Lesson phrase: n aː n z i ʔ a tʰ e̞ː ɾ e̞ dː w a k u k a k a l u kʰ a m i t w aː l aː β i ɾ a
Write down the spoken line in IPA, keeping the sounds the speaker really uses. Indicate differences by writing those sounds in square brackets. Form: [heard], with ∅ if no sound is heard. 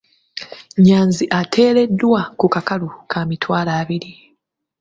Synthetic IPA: [ɲ] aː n z i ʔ a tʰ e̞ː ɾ e̞ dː w a k u k a k a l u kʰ a m i t w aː l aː β i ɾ [i]